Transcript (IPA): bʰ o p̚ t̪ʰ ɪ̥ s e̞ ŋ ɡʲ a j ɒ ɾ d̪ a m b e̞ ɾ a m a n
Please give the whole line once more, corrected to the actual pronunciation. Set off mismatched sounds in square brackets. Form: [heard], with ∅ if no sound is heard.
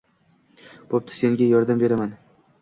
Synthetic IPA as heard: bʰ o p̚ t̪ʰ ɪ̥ s e̞ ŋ ɡʲ a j ɒ ɾ d̪ a m b e̞ ɾ a m a n